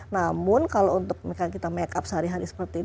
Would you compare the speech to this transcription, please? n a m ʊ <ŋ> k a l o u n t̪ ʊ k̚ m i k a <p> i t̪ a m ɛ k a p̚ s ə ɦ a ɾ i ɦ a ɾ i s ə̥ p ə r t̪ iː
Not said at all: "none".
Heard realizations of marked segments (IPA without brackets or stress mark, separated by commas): n, k